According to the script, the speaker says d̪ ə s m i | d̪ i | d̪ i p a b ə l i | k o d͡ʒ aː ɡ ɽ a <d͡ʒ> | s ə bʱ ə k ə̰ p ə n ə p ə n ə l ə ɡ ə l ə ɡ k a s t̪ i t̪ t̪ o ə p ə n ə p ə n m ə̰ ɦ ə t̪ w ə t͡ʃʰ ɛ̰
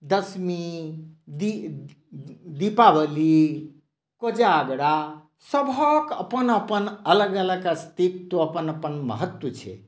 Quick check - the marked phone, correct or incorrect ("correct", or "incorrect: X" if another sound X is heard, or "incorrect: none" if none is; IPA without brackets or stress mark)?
incorrect: none